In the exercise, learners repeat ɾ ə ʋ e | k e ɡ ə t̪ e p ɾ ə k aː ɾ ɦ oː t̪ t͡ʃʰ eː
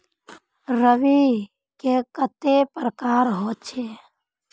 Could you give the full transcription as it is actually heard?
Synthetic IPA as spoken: ɾ ə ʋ i | k e k ə t̪ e p ɾ ə k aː ɾ ɦ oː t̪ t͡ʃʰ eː